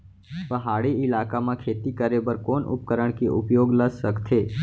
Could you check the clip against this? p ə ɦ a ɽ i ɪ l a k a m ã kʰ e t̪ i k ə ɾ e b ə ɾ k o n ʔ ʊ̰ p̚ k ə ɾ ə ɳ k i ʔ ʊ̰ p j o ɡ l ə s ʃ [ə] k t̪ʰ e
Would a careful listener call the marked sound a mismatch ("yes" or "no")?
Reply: no